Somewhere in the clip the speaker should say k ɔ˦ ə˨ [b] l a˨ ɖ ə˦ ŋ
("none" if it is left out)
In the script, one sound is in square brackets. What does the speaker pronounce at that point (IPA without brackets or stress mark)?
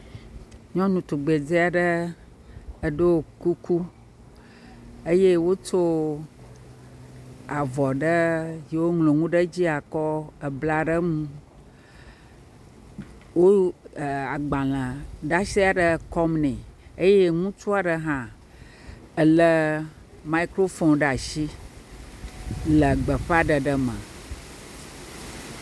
b